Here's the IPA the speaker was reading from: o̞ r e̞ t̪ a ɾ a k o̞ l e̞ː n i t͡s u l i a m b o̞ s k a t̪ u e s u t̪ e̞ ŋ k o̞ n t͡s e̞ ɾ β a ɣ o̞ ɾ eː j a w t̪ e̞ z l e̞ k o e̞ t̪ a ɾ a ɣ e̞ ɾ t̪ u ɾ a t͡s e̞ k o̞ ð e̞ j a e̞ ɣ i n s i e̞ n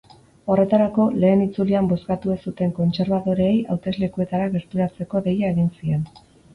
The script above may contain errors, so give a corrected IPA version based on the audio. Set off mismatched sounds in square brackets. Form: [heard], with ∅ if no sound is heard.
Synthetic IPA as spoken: o̞ r e̞ t̪ a ɾ a k o̞ l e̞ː n i t͡s u l i a m b o̞ s k a t̪ u e s u t̪ e̞ ŋ k o̞ n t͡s e̞ ɾ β a [ð] o̞ ɾ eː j a w t̪ e̞ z l e̞ k [u] e̞ t̪ a ɾ a ɣ e̞ ɾ t̪ u ɾ a t͡s e̞ k o̞ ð e̞ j a e̞ ɣ i n s i e̞ n